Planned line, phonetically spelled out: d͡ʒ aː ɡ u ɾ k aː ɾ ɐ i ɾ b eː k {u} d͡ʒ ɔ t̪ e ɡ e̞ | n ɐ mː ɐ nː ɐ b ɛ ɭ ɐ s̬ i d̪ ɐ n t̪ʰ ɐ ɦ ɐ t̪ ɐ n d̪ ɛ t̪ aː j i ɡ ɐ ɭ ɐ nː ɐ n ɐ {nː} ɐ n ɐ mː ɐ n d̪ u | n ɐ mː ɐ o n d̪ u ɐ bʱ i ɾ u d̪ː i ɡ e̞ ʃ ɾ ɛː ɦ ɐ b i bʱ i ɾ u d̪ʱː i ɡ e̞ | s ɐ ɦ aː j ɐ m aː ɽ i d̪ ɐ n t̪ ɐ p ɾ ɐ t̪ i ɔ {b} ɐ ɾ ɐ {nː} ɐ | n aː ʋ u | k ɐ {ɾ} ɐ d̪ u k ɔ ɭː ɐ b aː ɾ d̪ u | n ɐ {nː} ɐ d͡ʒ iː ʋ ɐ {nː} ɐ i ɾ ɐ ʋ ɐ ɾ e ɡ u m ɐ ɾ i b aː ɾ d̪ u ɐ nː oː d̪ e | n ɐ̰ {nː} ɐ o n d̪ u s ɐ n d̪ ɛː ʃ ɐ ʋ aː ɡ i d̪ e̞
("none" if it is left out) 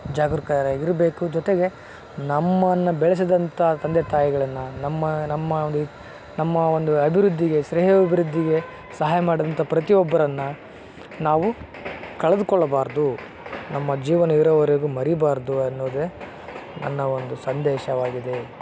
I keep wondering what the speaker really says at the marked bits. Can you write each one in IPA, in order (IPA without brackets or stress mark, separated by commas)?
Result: u, mː, bː, nː, ɭ, mː, n, nː